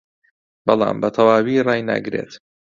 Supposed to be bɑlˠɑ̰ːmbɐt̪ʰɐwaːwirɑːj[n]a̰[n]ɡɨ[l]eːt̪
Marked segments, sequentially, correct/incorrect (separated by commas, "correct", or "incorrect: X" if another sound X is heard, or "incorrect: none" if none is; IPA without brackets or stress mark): correct, incorrect: none, incorrect: ɾ